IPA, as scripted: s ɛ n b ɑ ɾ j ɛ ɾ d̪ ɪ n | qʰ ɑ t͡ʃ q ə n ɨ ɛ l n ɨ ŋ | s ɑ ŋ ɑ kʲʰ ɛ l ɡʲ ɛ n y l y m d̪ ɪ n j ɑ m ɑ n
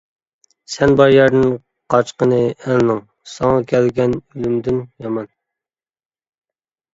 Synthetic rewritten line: s ɛ n b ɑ ɾ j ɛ ɾ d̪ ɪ n | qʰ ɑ t͡ʃ q ə n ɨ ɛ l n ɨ ŋ | s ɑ ŋ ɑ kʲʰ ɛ l ɡʲ ɛ n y l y m d̪ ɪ n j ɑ m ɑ n